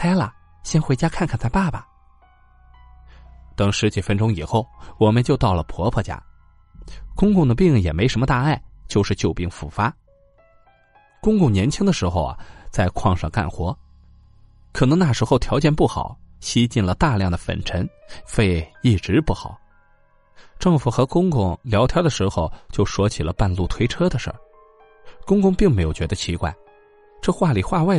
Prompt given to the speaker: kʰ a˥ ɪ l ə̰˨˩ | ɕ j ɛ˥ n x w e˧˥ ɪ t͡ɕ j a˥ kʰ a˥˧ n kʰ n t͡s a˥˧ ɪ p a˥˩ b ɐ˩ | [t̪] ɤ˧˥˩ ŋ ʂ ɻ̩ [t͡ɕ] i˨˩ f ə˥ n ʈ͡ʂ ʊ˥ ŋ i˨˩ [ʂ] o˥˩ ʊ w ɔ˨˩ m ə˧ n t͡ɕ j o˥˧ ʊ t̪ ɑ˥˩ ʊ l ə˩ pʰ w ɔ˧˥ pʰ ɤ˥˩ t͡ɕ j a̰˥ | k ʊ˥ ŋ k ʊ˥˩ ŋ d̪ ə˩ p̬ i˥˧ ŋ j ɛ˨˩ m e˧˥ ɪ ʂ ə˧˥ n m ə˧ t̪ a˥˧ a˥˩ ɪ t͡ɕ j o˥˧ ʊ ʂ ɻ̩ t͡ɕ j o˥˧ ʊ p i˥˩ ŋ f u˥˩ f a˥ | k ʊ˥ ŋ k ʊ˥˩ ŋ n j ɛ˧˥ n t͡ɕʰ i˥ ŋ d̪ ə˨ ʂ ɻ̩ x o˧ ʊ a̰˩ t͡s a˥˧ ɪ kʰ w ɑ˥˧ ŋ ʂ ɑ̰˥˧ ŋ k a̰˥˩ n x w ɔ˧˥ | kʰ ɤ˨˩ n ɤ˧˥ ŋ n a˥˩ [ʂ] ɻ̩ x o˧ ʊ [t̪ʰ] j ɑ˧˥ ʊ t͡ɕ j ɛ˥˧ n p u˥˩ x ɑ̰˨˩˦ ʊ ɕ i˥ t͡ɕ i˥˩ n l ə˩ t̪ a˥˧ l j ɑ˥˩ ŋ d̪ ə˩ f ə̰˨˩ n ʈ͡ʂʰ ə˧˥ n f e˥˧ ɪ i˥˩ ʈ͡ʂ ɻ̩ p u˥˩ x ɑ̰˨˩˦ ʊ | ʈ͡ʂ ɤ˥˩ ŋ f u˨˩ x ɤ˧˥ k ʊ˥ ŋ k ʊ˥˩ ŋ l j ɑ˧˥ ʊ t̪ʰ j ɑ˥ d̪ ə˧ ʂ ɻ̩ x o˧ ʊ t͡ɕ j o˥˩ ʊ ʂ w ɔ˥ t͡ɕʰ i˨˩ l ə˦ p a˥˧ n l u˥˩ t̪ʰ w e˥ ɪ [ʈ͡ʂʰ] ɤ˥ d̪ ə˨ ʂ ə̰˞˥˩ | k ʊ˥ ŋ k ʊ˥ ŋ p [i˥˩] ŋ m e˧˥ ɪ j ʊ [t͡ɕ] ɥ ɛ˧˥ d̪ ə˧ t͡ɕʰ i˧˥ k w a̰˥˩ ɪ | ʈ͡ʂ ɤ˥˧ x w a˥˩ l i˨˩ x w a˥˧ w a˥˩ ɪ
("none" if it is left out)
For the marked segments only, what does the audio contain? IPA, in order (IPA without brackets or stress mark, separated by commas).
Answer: t̪, t͡ɕ, x, ʂ, t̪ʰ, ʈ͡ʂʰ, i˥˩, t͡ɕ